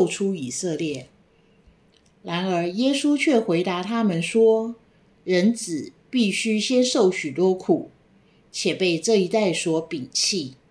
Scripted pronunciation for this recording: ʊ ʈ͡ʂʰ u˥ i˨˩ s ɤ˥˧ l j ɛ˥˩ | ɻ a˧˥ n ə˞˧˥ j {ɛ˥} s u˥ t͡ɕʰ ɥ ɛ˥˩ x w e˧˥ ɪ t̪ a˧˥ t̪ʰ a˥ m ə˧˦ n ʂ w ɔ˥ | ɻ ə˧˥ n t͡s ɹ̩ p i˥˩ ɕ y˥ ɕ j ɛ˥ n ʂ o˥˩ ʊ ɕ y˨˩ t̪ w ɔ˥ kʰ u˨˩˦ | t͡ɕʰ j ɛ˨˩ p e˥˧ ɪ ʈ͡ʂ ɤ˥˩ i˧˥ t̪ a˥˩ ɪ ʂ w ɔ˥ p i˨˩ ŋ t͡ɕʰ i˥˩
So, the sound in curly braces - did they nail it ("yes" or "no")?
yes